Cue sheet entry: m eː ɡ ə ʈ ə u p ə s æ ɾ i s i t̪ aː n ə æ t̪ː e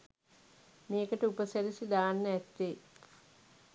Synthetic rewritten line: m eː k ə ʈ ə u p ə s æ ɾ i s i d̪ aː nː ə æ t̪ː e

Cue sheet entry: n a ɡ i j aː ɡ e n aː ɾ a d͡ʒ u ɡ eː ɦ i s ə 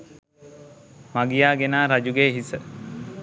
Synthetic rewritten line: m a ɡ i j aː ɡ e n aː ɾ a d͡ʒ u ɡ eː ɦ i s ə

